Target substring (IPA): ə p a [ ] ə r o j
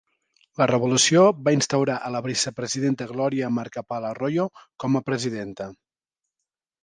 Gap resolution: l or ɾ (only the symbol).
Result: l